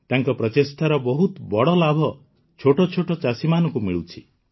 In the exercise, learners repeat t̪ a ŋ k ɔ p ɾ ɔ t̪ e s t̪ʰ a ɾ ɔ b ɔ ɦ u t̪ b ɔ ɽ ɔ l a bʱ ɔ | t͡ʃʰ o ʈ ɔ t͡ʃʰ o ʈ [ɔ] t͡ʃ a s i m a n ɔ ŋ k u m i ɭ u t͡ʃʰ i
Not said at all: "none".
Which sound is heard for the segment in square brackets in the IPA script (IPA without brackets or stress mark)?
ɔ